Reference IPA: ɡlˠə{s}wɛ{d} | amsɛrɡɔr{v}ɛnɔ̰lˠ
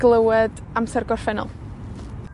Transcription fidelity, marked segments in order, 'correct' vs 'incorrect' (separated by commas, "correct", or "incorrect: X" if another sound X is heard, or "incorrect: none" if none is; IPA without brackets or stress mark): incorrect: none, correct, incorrect: f